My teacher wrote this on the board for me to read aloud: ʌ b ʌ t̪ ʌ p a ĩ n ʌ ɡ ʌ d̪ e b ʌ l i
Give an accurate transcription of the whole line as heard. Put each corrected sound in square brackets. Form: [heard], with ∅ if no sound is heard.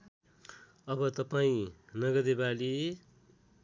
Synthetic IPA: ʌ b ʌ t̪ ʌ p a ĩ n ʌ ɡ ʌ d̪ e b [a] l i